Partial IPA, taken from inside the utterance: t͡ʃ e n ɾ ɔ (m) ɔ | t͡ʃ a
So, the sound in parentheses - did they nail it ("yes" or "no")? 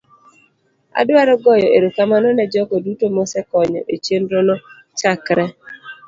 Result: no